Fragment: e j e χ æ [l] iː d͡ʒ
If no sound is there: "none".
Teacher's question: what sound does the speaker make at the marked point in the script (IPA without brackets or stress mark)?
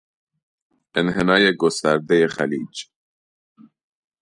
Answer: l